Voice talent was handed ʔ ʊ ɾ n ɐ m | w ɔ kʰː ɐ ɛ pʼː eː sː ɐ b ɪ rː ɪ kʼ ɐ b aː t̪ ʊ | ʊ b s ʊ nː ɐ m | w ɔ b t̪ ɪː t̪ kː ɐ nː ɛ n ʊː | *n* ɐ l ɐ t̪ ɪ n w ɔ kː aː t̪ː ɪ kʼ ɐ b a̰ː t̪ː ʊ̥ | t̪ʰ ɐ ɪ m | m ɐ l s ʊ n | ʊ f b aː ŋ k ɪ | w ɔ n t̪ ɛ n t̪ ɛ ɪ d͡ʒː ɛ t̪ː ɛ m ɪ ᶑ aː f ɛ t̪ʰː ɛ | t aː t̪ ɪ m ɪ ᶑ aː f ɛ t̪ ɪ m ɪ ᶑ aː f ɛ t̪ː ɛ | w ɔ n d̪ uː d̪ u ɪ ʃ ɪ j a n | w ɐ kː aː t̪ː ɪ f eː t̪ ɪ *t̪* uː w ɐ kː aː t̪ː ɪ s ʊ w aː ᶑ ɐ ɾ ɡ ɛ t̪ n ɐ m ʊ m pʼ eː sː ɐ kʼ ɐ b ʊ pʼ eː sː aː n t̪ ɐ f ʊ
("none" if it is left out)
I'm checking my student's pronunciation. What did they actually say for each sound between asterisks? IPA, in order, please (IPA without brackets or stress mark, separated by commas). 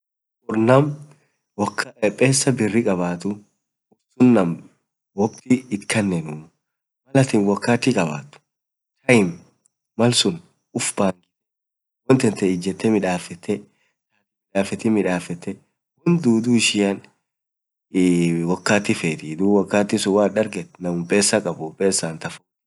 m, d̪